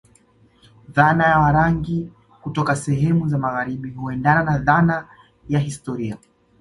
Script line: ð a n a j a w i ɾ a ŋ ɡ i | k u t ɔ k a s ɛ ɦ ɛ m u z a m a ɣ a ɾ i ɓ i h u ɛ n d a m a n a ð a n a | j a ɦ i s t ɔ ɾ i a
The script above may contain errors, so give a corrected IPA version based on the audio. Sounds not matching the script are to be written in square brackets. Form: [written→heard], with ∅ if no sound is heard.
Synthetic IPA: ð a n a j a w [i→a] ɾ a ŋ ɡ i | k u t ɔ k a s ɛ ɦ ɛ m u z a m a ɣ a ɾ i ɓ i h u ɛ n d a [m→n] a n a ð a n a | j a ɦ i s t ɔ ɾ i a

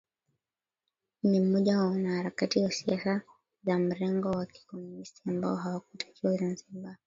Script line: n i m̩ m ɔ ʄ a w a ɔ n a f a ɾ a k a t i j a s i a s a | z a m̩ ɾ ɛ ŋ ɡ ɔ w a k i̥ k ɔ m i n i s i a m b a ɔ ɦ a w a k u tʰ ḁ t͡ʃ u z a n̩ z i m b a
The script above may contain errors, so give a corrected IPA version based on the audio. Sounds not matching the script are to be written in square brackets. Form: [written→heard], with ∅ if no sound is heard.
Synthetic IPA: n i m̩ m ɔ ʄ a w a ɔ n a [f→h] a ɾ a k a t i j a s i a s a | z a m̩ ɾ ɛ ŋ ɡ ɔ w a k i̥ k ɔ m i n i s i a m b a ɔ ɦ a w a k u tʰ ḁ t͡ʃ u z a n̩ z i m b a

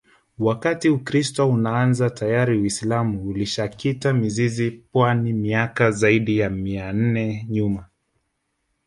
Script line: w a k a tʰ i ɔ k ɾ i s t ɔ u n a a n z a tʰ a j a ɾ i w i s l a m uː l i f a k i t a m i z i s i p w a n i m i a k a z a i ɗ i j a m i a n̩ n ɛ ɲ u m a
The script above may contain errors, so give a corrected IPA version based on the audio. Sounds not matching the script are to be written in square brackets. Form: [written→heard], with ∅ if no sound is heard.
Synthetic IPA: w a k a [tʰ→t] i [ɔ→u] k ɾ i s t ɔ u n a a n z a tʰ a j a ɾ i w i s l a m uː l i [f→ʃ] a k i t a m i z i [s→z] i p w a n i m i a k a z a i ɗ i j a m i a n̩ n ɛ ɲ u m a

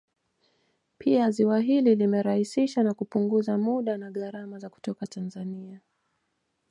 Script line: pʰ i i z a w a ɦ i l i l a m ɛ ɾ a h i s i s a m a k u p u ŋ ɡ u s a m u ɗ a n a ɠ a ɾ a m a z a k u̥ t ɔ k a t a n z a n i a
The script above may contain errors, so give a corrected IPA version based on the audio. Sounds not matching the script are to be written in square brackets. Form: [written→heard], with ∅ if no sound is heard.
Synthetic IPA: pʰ i [i→a] z [a→i] w a ɦ i l i l [a→i] m ɛ ɾ a h i s i [s→ʃ] a [m→n] a k u p u ŋ ɡ u [s→z] a m u ɗ a n a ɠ a ɾ a m a z a k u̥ t ɔ k a t a n z a n i a

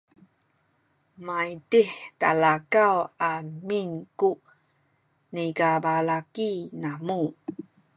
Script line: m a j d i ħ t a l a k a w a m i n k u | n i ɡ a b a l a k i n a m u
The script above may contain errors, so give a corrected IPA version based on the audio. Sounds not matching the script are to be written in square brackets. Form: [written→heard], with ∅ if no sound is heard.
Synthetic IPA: m a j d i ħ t a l a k a w a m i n k u | n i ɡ a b a l a k i n a m u

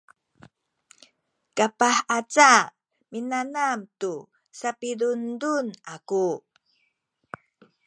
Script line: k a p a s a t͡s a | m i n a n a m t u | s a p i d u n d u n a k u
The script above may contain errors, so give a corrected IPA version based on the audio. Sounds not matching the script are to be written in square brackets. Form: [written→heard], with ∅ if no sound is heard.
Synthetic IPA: k a p a [s→ħ] a t͡s a | m i n a n a m t u | s a p i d u n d u n a k u

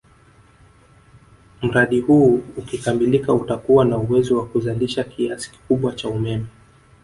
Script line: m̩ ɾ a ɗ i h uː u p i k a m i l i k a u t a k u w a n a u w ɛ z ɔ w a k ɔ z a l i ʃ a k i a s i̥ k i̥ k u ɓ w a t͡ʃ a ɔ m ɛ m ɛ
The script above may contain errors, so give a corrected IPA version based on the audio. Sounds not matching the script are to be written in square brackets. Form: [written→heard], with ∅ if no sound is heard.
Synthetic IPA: m̩ ɾ a ɗ i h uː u [p→k] i k a m i l i k a u t a k u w a n a u w ɛ z ɔ w a k [ɔ→u] z a l i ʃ a k i a s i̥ k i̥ k u ɓ w a t͡ʃ a [ɔ→u] m ɛ m ɛ

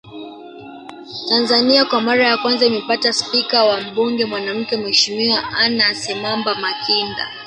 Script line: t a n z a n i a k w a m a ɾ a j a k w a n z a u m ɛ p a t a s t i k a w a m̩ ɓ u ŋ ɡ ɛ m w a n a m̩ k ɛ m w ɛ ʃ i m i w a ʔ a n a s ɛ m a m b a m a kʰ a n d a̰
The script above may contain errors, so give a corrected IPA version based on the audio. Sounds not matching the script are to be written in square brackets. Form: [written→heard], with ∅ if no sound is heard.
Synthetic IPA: t a n z a n i a k w a m a ɾ a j a k w a n z a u m ɛ p a t a s [t→p] i k a w a m̩ ɓ u ŋ ɡ ɛ m w a n a m̩ k ɛ m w ɛ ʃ i m i w a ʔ a n a s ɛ m a m b a m a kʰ [a→i] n d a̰

